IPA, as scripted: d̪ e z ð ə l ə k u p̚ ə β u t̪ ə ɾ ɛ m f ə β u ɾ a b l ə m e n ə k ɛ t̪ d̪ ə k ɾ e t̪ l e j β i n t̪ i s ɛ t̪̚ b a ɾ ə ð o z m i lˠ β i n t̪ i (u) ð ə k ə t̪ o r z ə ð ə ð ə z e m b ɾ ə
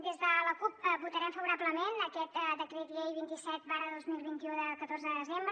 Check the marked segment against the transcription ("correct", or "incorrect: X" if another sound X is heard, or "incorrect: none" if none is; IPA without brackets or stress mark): correct